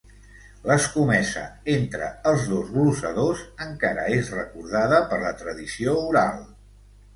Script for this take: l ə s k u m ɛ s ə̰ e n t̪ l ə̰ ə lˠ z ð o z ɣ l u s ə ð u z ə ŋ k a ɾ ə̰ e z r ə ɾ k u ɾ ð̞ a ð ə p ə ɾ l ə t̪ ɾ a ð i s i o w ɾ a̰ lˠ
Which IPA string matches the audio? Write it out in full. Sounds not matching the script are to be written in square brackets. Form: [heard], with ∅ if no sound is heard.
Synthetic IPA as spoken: l ə s k u m ɛ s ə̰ e n t̪ [ɾ] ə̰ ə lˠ z ð o z ɣ l u s ə ð [o] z ə ŋ k a ɾ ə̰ e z r ə [∅] k u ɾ ð̞ a ð ə p ə ɾ l ə t̪ ɾ [ə] ð i s i o [u] ɾ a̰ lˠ